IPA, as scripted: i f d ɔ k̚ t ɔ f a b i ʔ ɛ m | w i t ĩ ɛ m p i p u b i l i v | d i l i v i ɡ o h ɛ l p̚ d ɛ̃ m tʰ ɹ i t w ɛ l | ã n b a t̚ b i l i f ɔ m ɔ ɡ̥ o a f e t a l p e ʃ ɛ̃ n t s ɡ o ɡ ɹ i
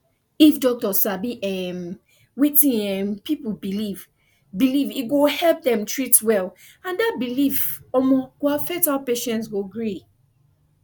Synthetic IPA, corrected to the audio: i f d ɔ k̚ t ɔ s a b i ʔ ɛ m | w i t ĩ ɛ m p i p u b i l i v | b i l i v i ɡ o h ɛ l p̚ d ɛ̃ m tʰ ɹ i t w ɛ l | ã n d a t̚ b i l i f ɔ m ɔ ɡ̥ o a f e t a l p e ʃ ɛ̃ n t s ɡ o ɡ ɹ i